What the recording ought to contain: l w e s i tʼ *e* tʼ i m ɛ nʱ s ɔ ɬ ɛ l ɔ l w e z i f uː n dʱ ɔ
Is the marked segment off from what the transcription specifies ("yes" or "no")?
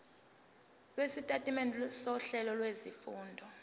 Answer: yes